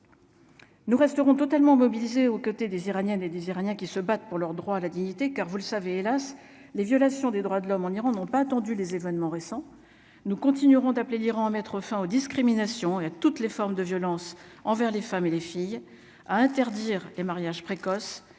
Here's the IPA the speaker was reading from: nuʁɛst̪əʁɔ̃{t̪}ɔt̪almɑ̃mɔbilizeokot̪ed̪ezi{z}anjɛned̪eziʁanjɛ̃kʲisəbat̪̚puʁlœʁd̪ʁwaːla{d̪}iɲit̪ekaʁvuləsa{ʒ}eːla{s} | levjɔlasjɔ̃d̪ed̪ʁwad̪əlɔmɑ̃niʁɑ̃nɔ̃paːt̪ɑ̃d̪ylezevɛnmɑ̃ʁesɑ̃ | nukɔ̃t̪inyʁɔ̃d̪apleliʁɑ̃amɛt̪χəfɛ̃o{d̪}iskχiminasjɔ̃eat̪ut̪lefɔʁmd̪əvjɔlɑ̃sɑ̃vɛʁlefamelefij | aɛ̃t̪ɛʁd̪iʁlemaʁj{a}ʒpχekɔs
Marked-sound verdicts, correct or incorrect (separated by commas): correct, incorrect, correct, incorrect, correct, correct, correct